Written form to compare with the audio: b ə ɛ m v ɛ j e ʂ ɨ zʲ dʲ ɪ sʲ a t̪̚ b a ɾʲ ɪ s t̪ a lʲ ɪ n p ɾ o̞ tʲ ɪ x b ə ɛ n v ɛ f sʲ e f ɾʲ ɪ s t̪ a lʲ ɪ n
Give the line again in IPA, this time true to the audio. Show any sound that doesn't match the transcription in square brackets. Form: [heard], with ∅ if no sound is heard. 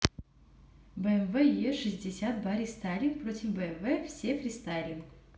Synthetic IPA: b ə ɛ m v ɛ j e ʂ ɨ zʲ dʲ ɪ sʲ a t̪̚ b a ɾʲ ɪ s t̪ a lʲ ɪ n p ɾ o̞ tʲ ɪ [f] b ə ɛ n v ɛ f sʲ e f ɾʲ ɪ s t̪ a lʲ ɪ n